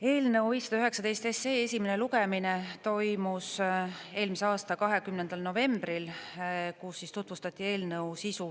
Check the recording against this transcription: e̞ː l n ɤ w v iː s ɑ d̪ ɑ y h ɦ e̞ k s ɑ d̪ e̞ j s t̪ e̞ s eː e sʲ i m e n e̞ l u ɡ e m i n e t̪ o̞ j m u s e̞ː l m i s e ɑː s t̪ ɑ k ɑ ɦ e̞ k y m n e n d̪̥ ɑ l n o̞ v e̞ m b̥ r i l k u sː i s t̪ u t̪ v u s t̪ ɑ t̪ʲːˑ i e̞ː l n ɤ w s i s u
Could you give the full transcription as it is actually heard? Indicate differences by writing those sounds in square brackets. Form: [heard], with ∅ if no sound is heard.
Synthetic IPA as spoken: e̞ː l n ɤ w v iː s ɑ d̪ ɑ y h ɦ e̞ k s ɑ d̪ e̞ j s t̪ e̞ s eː e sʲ i m e n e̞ l u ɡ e m i n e t̪ o̞ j m u s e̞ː l m i s e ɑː s t̪ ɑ k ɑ ɦ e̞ k y m n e n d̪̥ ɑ l n o̞ v e̞ m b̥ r i l k u sː i s t̪ u t̪ v u s t̪ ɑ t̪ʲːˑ i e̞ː l n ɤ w s i s u